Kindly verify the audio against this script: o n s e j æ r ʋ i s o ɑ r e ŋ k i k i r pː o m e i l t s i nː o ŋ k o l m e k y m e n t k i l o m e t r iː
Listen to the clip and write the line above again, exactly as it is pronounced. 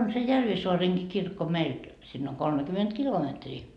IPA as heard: o n s e j æ r ʋ i s o ɑ r e ŋ k i k i r kː o m e i l t s i nː o ŋ k o l m e k y m e n t k i l o m e t r iː